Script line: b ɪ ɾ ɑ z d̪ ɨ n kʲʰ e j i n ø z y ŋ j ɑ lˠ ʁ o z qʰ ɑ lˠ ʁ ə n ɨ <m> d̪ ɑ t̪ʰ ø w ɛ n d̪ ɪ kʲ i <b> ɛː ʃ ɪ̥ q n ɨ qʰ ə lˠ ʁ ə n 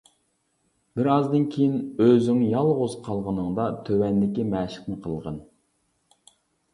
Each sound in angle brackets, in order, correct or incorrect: incorrect: ŋ, incorrect: m

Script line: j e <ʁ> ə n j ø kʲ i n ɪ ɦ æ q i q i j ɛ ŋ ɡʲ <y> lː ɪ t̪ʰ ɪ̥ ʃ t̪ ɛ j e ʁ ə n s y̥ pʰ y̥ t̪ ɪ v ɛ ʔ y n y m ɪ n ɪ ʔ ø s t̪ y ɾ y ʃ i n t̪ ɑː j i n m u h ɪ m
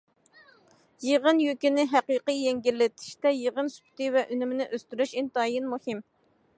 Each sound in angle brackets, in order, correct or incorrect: correct, incorrect: i

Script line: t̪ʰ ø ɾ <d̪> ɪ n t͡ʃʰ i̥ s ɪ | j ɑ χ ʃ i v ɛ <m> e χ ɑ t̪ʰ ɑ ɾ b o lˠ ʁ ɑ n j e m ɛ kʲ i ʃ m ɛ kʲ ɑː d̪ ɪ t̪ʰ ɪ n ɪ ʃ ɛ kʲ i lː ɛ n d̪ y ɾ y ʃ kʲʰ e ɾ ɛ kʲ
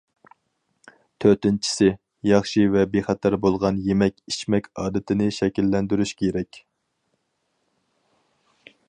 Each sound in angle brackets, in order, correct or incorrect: incorrect: t̪, incorrect: b

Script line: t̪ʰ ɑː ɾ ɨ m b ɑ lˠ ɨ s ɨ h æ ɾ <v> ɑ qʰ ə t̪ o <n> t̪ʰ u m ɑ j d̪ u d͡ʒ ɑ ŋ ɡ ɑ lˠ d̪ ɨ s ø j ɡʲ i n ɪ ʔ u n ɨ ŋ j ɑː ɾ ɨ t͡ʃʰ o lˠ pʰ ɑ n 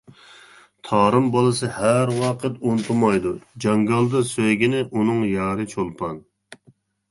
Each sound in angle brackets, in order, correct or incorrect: incorrect: w, correct

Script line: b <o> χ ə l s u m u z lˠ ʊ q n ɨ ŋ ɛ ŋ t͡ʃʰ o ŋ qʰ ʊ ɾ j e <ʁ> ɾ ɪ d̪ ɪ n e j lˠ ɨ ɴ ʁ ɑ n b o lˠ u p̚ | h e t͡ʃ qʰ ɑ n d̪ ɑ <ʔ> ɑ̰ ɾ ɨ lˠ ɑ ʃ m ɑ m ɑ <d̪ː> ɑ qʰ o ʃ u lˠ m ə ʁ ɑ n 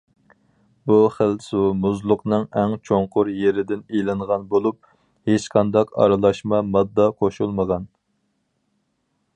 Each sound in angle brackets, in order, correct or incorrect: incorrect: u, incorrect: none, incorrect: q, correct

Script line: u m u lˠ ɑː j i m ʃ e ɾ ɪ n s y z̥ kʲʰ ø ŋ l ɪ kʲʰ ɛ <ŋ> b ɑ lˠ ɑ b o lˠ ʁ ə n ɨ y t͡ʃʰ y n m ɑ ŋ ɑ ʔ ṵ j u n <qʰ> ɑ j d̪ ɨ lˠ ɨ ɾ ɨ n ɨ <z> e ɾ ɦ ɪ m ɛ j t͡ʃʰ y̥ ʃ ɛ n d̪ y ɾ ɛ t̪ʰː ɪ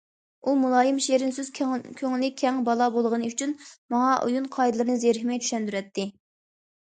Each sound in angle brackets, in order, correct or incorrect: correct, correct, correct

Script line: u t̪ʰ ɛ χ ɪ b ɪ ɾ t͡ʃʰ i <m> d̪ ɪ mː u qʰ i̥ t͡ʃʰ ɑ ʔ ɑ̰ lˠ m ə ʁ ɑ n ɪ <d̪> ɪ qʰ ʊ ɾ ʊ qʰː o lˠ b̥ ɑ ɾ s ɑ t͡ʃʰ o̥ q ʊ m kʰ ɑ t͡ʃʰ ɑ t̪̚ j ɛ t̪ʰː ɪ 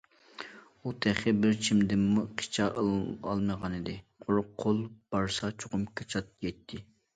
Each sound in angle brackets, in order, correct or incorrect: correct, correct

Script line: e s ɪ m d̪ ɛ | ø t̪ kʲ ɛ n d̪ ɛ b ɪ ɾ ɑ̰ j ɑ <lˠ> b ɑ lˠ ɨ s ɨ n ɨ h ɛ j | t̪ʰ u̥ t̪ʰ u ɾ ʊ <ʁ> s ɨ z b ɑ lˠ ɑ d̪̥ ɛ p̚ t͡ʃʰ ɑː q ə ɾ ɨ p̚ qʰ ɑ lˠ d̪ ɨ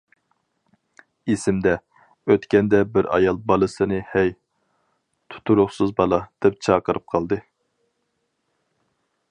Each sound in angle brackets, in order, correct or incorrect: correct, incorrect: χ

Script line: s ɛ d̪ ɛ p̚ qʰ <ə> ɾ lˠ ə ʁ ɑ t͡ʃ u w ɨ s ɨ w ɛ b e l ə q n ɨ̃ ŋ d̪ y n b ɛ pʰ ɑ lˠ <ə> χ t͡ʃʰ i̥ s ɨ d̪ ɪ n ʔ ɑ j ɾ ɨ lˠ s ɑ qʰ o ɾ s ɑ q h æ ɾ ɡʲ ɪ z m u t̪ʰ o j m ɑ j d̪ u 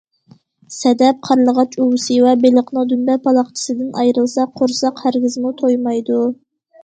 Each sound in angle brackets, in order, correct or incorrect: incorrect: ɑ, incorrect: ɑ

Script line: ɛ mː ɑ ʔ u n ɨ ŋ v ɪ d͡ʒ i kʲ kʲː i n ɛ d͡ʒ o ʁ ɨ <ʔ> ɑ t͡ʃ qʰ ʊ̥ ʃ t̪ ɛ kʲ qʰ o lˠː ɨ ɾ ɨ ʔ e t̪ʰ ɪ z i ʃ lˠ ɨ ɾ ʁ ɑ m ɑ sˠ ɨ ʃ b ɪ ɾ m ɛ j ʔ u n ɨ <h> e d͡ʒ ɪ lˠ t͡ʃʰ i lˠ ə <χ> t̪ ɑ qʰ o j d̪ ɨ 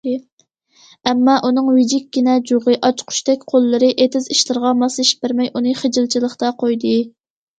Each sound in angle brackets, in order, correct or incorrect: correct, incorrect: χ, correct

